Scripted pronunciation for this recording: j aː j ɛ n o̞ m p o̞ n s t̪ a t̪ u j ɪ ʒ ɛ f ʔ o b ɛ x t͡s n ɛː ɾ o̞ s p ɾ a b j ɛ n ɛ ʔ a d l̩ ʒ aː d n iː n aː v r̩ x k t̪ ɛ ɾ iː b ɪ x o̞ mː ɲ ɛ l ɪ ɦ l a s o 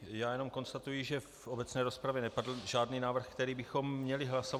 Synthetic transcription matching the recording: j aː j ɛ n o̞ m k o̞ n s t̪ a t̪ u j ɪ ʒ ɛ f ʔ o b ɛ t͡s n ɛː ɾ o̞ s p ɾ a v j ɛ n ɛ p a d l̩ ʒ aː d n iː n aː v r̩ x k t̪ ɛ ɾ iː b ɪ x o̞ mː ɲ ɛ l ɪ ɦ l a s o